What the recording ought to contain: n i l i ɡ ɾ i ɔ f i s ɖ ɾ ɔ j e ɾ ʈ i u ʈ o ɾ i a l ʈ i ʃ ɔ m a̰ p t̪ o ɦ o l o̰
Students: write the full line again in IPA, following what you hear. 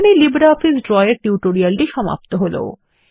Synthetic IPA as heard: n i l i b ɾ a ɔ f i s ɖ ɾ ɔ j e ɾ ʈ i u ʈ o ɾ i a l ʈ i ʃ ɔ m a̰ p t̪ o ɦ o l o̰